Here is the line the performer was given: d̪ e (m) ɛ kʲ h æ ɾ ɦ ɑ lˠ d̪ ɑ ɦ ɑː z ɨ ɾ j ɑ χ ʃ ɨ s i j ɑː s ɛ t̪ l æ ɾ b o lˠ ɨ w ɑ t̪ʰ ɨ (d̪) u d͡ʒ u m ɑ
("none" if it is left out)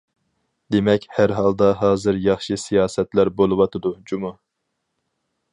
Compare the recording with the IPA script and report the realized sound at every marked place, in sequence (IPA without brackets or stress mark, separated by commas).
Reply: m, d̪